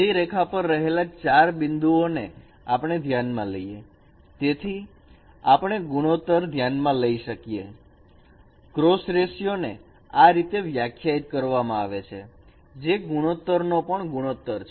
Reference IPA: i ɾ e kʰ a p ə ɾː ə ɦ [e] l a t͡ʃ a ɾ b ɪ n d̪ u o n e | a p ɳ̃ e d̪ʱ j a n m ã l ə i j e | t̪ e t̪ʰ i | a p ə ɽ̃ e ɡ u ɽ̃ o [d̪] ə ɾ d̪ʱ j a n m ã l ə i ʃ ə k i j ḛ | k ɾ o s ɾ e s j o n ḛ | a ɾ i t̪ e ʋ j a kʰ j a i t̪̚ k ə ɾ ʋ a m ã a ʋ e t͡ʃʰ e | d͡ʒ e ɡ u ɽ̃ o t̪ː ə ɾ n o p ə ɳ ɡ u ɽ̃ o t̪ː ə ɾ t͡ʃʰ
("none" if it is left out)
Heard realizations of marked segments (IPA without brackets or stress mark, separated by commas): e, t̪